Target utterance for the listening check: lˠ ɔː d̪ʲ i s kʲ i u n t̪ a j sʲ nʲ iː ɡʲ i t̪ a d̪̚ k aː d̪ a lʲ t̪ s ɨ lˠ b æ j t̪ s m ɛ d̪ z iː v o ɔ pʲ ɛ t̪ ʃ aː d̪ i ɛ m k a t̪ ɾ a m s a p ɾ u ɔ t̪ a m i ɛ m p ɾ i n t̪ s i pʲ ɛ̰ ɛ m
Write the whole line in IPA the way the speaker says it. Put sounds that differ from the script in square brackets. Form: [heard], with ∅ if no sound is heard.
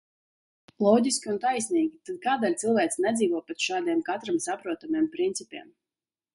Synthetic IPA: lˠ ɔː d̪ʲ i s kʲ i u n t̪ a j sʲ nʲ iː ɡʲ i t̪ a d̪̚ k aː d̪ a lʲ t̪ s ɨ lˠ [v] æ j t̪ s [n] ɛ d̪ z iː v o ɔ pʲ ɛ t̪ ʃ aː d̪ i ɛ m k a t̪ ɾ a m s a p ɾ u ɔ t̪ a m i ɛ m p ɾ i n t̪ s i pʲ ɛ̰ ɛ m